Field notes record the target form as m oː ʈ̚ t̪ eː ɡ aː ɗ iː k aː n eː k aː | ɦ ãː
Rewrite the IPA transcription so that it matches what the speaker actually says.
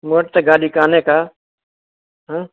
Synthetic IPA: m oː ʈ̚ t̪ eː ɡ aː ɗ iː k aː n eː k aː | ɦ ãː